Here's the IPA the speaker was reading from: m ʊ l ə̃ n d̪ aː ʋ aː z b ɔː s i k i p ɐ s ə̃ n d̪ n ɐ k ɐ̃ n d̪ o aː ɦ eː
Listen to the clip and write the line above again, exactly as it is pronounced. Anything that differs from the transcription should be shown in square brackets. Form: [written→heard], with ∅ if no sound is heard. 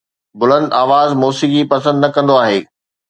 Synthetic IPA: [m→b] ʊ l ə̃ n d̪ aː ʋ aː z [b→m] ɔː s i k i p ɐ s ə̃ n d̪ n ɐ k ɐ̃ n d̪ o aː ɦ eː